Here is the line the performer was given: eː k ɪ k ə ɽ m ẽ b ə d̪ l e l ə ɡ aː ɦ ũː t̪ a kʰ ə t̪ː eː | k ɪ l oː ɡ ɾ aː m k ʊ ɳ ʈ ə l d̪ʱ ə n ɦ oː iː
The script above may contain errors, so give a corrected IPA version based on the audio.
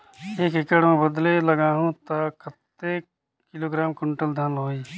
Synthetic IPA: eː k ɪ k ə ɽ m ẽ b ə d̪ l e l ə ɡ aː ɦ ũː t̪ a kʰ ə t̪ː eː | k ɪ l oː ɡ ɾ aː m k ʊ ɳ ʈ ə l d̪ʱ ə n ɦ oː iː